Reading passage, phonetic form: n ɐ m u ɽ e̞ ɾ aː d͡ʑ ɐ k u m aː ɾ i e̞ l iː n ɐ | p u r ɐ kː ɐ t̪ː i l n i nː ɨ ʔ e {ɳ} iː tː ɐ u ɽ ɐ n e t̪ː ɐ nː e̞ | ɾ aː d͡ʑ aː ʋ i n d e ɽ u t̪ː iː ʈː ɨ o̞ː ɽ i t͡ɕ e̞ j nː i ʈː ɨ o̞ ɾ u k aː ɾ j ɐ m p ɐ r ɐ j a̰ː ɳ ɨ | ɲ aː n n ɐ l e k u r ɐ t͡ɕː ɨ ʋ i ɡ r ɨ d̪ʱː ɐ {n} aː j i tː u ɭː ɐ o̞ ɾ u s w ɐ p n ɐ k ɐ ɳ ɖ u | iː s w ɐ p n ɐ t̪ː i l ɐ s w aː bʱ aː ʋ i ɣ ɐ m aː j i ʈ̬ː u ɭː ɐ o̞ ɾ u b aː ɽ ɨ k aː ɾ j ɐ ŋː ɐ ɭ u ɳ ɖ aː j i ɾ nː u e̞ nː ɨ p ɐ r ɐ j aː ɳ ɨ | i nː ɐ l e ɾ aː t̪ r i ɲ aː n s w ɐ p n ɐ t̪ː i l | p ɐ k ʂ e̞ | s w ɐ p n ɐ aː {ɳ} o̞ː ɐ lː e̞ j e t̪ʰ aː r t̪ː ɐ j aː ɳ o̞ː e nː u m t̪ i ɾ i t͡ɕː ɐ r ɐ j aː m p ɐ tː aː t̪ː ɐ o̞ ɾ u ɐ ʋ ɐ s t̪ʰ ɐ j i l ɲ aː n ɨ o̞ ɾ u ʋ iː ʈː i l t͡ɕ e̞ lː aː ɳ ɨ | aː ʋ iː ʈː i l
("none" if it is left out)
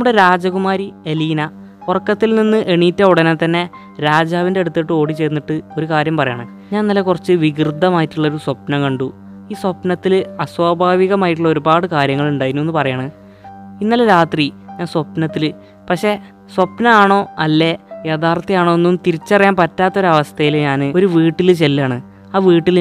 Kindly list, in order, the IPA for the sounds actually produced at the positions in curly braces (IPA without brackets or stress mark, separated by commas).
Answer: ɳ, m, ɳ